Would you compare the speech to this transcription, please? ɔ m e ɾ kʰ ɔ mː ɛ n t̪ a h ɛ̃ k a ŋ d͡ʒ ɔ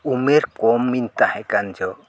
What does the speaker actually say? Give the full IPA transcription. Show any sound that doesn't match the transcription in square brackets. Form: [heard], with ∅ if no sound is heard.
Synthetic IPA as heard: [u] m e ɾ [k] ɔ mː [i] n t̪ a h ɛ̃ k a [n] d͡ʒ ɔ